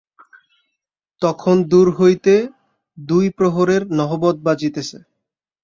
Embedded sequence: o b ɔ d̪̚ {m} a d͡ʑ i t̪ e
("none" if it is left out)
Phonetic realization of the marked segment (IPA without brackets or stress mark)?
b